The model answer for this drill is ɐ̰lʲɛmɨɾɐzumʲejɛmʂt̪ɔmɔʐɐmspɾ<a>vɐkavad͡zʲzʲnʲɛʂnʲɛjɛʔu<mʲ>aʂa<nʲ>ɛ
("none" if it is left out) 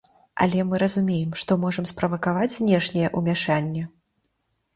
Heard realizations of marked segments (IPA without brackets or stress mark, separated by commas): ɐ, mʲ, nʲː